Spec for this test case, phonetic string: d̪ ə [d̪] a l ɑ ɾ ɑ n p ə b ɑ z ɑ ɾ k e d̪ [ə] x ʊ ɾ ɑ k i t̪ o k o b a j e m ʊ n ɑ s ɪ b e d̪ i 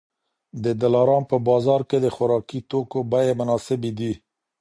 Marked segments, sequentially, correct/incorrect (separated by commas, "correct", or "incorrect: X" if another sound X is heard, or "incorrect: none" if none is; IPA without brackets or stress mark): correct, correct